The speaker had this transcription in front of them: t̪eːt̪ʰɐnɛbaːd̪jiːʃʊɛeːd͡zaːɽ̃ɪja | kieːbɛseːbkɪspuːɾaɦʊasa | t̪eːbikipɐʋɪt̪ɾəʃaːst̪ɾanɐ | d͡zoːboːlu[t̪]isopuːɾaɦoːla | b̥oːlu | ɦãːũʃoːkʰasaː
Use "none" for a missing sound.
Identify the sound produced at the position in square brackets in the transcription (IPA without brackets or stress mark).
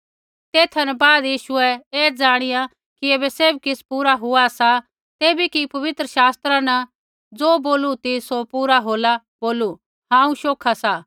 t̪